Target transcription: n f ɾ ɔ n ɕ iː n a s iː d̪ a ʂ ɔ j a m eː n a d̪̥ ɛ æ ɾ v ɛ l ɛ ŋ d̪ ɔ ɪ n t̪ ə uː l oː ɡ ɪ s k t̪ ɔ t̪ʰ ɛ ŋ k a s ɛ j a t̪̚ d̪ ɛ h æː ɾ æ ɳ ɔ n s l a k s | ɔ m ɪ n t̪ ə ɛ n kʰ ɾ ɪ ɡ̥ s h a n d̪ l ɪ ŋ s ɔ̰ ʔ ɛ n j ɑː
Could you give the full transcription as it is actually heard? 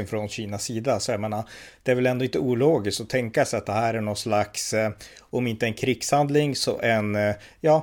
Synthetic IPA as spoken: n f ɾ ɔ n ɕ iː n a s iː d̪ a s ɔ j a m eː n a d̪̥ ɛ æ ɾ v ɛ l ɛ n d̪ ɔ ɪ n t̪ ə uː l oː ɡ ɪ s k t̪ ɔ t̪ʰ ɛ ŋ k a s ɛ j a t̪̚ d̪ ɛ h æː ɾ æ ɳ ɔ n s l a k s | ɔ m ɪ n t̪ ə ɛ n kʰ ɾ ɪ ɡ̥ s h a n d̪ l ɪ ŋ s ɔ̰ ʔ ɛ n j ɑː